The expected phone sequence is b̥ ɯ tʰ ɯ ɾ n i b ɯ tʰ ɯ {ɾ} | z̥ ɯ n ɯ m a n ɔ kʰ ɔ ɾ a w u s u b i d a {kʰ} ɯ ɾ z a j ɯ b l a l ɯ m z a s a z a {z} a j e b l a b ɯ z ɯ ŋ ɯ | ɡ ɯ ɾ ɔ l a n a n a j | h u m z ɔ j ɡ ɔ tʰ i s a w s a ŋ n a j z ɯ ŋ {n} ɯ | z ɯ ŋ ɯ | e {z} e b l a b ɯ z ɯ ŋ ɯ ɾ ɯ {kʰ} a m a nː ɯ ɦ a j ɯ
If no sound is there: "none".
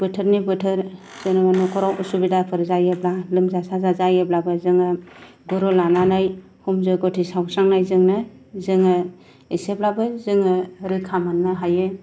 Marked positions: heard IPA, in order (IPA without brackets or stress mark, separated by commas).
ɾ, pʰ, z, n, s, kʰ